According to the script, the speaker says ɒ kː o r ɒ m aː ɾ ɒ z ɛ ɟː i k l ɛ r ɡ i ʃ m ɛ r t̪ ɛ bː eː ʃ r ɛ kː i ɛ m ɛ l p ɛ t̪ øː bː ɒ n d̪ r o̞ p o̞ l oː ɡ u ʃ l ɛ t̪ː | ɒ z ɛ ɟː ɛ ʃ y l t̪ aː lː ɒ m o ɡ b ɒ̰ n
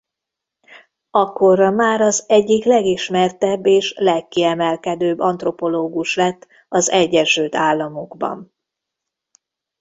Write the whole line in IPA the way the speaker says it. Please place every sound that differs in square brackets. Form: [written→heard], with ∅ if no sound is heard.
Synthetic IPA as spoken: ɒ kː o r ɒ m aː ɾ ɒ z ɛ ɟː i k l ɛ [r→∅] ɡ i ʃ m ɛ r t̪ ɛ bː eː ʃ [r→l] ɛ kː i ɛ m ɛ l [p→k] ɛ [t̪→d̪] øː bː ɒ n [d̪→t̪] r o̞ p o̞ l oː ɡ u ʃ l ɛ t̪ː | ɒ z ɛ ɟː ɛ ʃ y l t̪ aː lː ɒ m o ɡ b ɒ̰ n